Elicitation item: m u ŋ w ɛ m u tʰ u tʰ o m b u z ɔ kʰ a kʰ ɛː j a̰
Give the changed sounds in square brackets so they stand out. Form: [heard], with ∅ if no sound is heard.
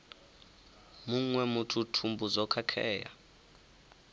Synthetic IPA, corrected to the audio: m u ŋ w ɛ m u tʰ u tʰ [u] m b u z ɔ kʰ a kʰ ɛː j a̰